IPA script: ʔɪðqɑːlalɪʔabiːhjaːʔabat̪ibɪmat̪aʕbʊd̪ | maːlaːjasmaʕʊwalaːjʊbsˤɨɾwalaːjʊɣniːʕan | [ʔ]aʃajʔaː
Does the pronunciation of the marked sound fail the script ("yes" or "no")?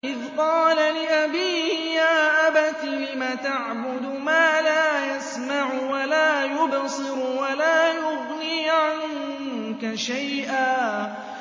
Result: yes